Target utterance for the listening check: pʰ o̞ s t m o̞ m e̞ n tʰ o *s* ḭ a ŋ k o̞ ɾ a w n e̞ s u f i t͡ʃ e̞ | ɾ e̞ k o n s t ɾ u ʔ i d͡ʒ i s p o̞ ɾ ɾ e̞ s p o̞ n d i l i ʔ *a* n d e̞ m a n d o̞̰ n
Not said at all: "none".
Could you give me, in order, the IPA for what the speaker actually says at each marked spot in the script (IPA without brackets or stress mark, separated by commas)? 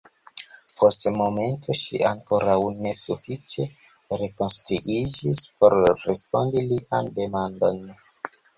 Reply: ʃ, a